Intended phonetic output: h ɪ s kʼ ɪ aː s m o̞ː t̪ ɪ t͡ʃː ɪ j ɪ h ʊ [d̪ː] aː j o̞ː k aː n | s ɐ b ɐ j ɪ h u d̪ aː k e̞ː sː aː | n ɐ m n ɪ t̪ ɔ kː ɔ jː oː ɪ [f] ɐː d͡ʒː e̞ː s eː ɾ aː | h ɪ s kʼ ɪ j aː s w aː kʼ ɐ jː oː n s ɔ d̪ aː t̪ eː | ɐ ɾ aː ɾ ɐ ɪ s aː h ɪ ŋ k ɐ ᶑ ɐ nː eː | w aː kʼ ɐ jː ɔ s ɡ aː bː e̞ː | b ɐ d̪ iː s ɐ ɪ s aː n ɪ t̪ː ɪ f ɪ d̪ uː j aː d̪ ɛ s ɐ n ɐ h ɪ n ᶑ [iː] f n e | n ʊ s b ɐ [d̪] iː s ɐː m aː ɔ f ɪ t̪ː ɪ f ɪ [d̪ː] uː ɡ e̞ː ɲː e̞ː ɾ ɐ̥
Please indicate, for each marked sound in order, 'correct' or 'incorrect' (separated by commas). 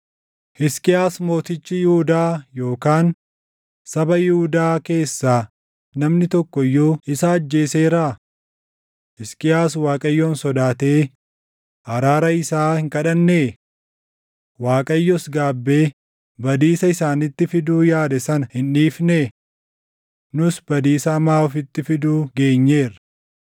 incorrect, incorrect, correct, correct, incorrect